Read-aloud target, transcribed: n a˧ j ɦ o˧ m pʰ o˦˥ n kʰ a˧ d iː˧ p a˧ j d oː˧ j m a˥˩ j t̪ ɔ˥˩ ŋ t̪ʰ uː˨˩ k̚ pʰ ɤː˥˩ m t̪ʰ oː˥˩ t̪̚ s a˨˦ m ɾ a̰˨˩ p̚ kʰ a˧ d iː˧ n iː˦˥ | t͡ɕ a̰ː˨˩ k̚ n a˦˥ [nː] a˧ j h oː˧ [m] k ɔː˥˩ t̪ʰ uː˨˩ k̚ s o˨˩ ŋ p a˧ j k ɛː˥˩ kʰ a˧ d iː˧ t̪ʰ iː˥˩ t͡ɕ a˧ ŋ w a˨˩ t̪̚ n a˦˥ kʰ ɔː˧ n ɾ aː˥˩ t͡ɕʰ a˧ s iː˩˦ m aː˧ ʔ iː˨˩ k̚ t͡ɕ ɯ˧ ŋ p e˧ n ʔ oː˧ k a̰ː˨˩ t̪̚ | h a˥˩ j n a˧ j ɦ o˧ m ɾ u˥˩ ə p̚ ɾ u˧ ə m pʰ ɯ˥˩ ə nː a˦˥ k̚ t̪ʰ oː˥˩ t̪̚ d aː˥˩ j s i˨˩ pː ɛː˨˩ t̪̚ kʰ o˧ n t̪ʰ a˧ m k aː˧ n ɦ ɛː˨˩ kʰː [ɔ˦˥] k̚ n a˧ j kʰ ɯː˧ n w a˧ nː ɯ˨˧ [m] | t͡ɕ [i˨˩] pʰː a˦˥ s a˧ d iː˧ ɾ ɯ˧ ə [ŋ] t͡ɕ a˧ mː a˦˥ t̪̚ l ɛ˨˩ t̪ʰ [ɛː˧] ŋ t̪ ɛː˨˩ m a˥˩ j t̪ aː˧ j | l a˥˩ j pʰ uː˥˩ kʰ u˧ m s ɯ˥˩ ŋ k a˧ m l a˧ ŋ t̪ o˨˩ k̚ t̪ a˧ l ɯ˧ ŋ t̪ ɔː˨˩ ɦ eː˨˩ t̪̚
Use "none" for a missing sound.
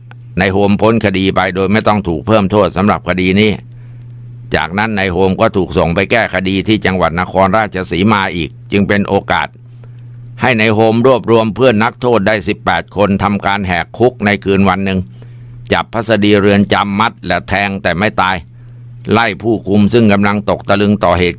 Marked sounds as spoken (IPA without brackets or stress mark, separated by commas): nː, m, u˦˥, ŋ, a˨˩, n, ɛː˧